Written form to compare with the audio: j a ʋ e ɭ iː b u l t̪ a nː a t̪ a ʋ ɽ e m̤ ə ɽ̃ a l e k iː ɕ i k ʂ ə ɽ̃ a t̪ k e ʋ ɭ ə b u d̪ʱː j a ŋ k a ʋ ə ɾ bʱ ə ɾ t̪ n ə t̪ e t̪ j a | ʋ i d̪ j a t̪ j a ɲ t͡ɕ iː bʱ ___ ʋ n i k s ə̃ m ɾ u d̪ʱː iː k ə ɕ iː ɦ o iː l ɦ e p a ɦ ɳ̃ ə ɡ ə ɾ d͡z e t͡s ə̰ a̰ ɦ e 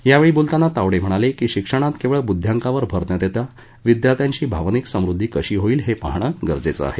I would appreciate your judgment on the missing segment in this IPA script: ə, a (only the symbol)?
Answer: a